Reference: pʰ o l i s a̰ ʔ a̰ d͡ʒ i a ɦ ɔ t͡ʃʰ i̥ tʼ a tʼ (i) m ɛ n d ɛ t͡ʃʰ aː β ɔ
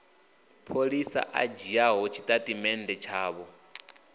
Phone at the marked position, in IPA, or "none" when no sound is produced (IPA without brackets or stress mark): i